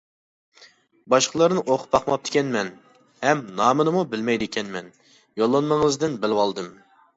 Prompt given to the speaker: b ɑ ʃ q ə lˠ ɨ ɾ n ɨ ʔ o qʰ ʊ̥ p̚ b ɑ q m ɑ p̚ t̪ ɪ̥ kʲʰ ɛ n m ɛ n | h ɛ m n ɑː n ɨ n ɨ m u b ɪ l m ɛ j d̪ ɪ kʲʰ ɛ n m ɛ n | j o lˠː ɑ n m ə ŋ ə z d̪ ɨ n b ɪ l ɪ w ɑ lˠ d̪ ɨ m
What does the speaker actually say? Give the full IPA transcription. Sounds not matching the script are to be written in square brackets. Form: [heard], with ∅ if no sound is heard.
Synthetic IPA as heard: b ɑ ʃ q ə lˠ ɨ ɾ n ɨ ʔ o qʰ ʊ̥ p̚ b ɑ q m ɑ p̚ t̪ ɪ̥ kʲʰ ɛ n m ɛ n | h ɛ m n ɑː [m] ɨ n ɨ m u b ɪ l m ɛ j d̪ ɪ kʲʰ ɛ n m ɛ n | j o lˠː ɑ n m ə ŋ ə z d̪ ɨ n b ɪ l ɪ w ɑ lˠ d̪ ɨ m